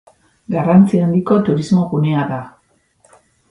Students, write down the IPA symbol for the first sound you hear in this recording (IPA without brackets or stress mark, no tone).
ɡ